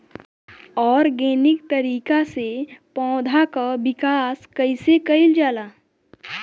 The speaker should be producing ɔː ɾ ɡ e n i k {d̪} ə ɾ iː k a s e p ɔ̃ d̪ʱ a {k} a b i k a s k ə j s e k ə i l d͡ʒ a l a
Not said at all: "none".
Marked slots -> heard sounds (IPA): t̪, k

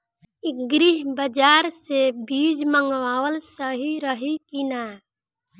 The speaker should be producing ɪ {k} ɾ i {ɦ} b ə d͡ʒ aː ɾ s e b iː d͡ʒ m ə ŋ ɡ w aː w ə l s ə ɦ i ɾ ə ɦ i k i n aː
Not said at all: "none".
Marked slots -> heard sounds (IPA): ɡ, ɦ

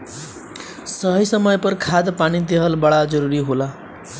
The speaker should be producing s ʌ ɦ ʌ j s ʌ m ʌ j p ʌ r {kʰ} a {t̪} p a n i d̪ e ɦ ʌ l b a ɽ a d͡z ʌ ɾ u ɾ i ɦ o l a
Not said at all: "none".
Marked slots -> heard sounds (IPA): kʰ, d̪

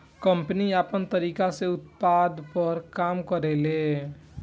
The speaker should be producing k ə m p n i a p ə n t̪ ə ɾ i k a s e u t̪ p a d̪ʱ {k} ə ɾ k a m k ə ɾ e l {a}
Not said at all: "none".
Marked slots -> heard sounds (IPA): p, e

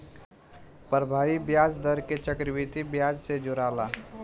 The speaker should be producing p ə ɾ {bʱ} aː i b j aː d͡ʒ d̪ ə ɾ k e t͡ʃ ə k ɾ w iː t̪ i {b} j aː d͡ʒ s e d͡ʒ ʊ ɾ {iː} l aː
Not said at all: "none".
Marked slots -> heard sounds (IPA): bʱ, b, aː

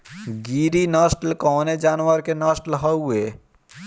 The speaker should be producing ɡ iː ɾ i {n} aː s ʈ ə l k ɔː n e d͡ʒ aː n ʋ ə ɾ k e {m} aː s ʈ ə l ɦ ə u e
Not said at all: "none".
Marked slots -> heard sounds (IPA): n, n

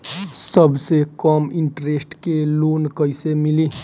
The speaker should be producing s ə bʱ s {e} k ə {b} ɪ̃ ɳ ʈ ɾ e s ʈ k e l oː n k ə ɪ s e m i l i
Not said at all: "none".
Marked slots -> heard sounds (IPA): e, m

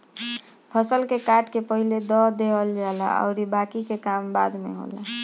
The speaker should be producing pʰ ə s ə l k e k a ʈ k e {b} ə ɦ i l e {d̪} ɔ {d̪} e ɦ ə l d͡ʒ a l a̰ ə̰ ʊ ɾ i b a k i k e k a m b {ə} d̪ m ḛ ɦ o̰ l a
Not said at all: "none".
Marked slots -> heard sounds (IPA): p, d̪, d̪, a

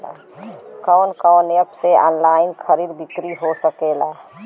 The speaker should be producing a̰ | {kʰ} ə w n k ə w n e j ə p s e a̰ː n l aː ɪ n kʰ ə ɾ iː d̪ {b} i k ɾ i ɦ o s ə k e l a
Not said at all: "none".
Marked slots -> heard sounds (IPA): k, b

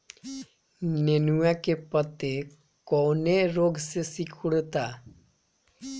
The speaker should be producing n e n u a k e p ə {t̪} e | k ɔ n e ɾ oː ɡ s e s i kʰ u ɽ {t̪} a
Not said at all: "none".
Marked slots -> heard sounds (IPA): t̪, t̪

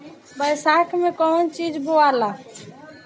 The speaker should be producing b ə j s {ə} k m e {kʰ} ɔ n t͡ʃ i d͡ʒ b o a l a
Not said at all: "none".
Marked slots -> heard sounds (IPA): a, k

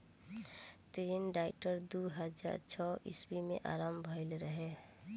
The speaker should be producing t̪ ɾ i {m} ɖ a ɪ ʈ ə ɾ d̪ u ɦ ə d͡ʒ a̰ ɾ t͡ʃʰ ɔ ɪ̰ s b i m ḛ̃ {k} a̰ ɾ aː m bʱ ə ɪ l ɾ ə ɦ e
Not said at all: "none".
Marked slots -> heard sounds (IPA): n, ʔ

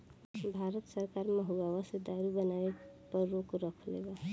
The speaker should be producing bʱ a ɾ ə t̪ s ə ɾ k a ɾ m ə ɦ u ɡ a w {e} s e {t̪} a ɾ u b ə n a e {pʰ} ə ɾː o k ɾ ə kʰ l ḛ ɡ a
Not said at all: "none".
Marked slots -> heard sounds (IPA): a, d̪, p

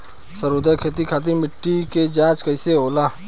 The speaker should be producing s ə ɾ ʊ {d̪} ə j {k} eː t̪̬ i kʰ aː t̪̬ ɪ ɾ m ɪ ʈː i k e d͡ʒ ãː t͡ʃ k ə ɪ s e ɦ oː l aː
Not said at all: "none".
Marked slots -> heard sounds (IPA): d̪, kʰ

